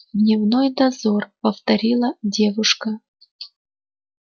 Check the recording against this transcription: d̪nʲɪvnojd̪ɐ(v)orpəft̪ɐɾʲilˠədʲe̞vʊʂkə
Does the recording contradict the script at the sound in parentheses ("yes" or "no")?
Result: yes